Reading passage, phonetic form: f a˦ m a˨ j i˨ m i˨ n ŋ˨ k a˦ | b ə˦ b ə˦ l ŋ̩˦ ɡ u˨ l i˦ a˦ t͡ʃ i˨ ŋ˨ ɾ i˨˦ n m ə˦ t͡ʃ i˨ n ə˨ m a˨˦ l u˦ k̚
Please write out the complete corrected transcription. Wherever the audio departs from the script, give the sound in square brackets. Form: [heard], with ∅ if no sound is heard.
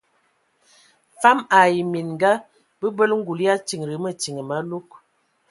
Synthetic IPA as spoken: f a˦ m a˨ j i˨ m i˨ n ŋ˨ [ɡ] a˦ | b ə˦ b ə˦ l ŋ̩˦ ɡ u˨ l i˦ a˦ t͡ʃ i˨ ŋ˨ ɾ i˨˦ [∅] m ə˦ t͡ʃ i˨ [ŋ] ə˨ m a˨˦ l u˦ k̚

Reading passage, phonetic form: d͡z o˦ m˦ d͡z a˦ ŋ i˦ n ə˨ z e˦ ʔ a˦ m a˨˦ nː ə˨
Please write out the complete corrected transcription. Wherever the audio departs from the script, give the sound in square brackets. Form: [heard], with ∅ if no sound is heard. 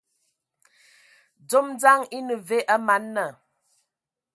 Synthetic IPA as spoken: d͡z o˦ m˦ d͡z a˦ ŋ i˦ n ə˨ [v] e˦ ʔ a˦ m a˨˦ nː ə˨

